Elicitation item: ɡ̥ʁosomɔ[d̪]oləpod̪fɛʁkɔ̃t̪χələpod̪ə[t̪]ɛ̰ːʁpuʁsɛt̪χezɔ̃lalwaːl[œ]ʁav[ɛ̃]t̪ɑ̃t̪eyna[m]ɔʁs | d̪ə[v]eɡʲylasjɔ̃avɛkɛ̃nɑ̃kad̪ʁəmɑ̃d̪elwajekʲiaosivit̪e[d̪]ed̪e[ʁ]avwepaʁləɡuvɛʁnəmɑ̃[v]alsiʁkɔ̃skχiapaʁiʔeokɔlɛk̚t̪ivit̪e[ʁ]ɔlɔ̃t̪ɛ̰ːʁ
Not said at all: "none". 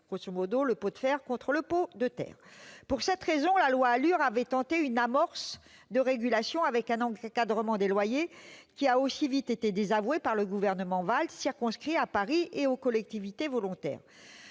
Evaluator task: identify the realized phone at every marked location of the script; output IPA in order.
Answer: d̪, t̪, y, ɛ, m, ʁ, t̪, z, v, v

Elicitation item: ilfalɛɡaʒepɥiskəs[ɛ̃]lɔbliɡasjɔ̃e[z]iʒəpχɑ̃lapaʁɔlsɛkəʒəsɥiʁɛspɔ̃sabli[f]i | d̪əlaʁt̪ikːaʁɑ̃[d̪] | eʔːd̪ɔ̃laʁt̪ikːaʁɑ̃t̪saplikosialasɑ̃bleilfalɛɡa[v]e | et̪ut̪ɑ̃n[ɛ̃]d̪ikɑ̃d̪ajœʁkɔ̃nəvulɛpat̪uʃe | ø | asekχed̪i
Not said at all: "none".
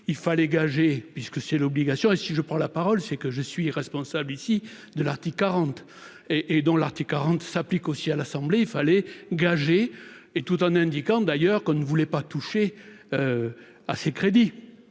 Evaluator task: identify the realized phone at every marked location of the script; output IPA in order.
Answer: ɛ, s, s, t̪, ʒ, ɛ̃

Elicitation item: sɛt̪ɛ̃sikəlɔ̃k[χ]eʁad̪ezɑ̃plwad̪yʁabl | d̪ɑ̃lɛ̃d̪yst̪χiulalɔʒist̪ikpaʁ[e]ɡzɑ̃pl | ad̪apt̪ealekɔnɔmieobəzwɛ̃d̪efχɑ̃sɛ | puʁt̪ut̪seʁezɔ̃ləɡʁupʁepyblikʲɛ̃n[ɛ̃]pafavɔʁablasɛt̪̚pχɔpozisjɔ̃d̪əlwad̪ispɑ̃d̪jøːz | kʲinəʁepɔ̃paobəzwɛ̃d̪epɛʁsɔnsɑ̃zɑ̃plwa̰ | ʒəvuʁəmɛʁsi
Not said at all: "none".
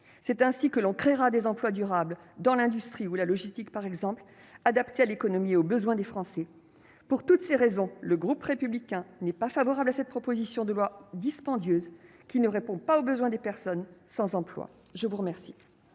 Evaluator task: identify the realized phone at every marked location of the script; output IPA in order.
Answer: χ, ɛ, ɛ

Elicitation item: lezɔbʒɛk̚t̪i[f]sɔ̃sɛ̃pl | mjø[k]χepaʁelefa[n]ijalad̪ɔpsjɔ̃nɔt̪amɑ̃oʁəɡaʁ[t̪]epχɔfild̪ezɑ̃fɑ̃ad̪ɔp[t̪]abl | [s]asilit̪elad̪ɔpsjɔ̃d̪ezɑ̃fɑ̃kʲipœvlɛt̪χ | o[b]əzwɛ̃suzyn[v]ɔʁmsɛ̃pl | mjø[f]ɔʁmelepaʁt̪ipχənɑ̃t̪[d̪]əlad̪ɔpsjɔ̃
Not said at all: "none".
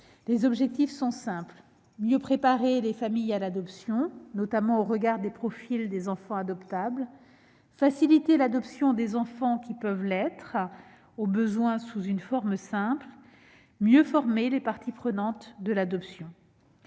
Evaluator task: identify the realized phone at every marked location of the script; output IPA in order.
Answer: f, p, m, d̪, t̪, f, b, f, f, d̪

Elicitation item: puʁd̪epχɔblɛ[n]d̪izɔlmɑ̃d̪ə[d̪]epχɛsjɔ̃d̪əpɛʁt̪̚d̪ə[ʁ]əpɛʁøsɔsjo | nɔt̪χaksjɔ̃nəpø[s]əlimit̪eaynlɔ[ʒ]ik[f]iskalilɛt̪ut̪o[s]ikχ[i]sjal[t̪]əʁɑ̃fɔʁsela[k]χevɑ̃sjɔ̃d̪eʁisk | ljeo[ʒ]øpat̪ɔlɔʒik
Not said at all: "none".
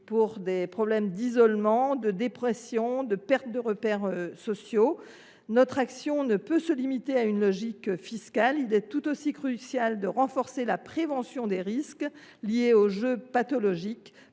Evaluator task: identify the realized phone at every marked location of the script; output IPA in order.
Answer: m, d̪, ʁ, s, ʒ, f, s, y, d̪, p, ʒ

